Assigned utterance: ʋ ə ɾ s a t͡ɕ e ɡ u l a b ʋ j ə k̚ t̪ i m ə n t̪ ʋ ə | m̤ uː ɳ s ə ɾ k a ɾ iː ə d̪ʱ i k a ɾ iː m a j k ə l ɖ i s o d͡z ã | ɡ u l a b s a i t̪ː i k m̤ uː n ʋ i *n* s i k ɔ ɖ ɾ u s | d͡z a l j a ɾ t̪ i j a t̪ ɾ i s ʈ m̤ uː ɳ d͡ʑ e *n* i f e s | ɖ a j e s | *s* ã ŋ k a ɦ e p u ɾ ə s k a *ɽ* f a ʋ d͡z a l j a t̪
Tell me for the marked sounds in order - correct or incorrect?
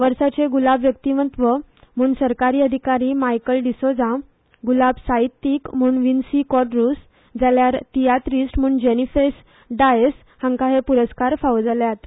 correct, correct, incorrect: h, incorrect: ɾ

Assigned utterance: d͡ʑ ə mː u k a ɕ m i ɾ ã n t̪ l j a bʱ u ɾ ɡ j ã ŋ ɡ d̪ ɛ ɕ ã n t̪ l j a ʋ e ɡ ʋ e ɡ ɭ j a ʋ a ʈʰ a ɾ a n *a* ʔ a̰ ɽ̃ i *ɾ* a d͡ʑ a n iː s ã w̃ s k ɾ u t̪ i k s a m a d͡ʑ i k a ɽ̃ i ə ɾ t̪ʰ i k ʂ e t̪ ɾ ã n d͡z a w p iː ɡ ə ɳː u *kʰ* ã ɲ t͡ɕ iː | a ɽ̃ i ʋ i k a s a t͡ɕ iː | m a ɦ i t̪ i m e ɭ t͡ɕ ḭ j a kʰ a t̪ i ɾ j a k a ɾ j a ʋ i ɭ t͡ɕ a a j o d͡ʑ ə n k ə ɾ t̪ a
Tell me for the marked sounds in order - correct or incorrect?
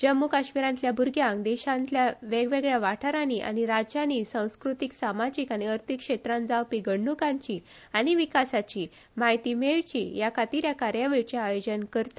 incorrect: i, correct, incorrect: k

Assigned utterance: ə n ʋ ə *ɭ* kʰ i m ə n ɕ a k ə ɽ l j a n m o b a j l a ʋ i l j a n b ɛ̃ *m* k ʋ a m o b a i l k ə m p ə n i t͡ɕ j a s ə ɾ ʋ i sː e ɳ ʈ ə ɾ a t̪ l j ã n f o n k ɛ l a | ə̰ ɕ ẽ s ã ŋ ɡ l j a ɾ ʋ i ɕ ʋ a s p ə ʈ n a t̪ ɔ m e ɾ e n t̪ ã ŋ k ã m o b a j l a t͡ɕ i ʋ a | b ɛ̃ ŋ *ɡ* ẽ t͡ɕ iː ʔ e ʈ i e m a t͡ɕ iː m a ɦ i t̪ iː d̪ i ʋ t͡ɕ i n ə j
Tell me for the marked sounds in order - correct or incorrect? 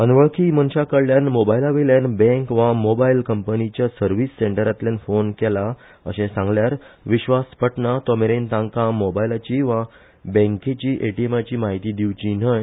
correct, incorrect: ŋ, incorrect: k

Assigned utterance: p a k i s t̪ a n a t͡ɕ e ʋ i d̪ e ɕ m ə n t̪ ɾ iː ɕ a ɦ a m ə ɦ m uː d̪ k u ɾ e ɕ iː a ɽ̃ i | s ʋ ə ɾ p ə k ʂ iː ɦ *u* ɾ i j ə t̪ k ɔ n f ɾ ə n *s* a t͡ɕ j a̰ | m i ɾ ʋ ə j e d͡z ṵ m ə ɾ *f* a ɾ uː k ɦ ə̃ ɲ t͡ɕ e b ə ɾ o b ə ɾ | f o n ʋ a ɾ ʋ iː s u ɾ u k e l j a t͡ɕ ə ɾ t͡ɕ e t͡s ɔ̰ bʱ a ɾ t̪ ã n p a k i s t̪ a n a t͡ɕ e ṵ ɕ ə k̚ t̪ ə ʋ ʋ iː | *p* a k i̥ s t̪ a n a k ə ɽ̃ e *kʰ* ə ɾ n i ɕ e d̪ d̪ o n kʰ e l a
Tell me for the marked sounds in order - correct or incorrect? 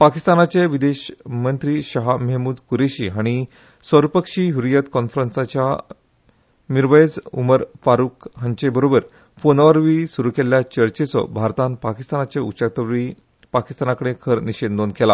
correct, correct, correct, correct, correct

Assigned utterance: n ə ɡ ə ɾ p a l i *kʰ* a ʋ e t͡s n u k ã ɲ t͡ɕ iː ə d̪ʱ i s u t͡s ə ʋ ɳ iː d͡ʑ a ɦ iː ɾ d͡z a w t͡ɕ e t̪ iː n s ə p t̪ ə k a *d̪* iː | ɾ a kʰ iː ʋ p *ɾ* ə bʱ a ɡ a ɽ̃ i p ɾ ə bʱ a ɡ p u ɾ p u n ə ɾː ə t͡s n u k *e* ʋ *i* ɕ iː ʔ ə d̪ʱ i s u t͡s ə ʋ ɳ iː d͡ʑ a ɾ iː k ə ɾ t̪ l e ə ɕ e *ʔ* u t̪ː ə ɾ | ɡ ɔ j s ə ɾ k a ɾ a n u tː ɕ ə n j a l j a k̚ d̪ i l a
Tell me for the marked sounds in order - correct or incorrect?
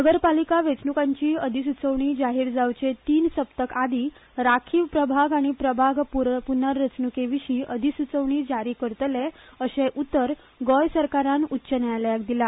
incorrect: k, correct, correct, correct, correct, correct

